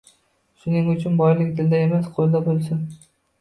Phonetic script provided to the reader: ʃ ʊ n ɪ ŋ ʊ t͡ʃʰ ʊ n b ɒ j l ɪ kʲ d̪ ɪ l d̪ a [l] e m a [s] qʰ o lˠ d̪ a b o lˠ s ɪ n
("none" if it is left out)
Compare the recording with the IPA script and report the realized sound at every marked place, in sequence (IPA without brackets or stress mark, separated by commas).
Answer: none, s